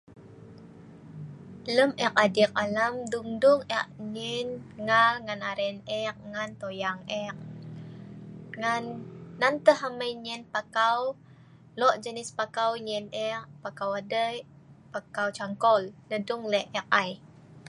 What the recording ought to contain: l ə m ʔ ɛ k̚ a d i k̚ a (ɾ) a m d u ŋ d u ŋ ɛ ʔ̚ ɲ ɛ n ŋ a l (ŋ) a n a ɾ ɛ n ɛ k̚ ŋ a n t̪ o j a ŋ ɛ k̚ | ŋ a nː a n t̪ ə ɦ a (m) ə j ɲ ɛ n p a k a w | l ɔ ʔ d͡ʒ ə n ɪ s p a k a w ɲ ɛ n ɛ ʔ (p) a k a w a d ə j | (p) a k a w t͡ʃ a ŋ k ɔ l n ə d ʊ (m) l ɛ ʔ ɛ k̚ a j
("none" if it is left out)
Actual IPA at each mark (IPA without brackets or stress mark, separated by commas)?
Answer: l, ŋ, m, p, p, ŋ